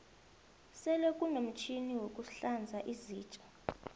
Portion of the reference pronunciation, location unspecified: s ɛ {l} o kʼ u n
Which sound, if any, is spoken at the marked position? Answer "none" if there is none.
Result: l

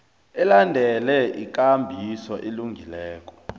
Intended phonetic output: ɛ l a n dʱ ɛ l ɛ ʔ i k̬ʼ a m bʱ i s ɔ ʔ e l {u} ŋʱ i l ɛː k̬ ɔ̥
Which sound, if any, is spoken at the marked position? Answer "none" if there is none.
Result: u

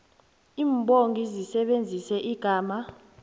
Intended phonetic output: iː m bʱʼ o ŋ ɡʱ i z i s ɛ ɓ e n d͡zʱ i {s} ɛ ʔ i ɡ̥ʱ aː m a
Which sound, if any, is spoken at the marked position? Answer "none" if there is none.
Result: s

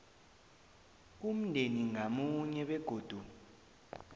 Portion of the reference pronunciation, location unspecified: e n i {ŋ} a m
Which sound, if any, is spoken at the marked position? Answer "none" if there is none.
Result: ŋ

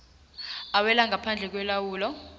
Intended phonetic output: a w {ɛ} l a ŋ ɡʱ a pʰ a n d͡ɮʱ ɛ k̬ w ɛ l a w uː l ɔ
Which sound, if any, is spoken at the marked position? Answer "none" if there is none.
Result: ɛ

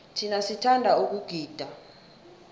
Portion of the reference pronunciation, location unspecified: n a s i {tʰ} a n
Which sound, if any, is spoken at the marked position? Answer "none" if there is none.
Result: tʰ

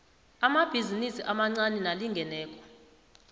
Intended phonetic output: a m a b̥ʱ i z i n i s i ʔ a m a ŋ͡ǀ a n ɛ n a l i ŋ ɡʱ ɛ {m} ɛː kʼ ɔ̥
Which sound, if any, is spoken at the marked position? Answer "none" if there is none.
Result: n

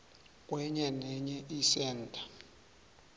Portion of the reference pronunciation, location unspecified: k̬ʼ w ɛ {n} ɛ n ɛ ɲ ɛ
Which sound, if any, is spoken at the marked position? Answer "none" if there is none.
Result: ɲ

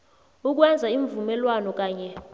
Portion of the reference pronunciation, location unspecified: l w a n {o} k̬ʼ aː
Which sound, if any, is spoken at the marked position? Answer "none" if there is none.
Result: ɔ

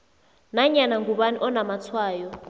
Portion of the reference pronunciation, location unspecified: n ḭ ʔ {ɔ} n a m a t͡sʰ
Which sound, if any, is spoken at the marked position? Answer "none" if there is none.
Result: ɔ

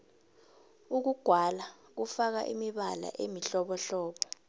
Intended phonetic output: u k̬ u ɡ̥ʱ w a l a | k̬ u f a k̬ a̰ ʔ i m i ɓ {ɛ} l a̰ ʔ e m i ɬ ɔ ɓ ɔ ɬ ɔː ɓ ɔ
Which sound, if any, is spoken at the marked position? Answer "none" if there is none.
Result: a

